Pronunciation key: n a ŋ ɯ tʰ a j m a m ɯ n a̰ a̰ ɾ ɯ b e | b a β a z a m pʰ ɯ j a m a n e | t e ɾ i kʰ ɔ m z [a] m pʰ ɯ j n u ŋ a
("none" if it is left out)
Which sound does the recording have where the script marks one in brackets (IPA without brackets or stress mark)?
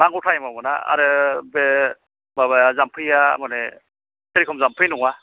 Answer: a